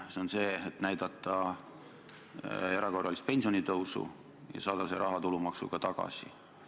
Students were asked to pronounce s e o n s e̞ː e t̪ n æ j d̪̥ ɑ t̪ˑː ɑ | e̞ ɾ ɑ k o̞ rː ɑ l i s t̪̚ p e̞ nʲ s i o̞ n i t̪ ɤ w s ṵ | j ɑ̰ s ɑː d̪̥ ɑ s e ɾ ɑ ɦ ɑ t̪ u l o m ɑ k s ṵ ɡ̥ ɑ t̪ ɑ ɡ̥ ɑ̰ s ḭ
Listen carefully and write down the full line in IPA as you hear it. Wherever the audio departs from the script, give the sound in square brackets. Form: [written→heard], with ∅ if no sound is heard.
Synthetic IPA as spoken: s e o n s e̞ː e t̪ n æ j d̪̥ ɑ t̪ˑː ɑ | e̞ ɾ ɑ k o̞ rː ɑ l i s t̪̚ p e̞ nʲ s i o̞ n i t̪ ɤ w s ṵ | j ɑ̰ s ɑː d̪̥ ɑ s e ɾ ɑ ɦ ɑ t̪ u l [o→u] m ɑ k s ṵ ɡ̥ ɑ t̪ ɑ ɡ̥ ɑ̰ s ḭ